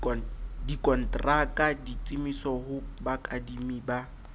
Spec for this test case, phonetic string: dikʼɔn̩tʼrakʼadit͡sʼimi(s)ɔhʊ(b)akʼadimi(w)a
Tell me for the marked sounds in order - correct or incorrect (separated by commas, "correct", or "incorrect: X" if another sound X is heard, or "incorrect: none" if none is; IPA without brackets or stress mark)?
correct, correct, incorrect: b